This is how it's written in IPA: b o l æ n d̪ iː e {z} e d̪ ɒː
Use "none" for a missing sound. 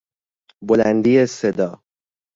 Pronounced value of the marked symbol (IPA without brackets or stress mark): s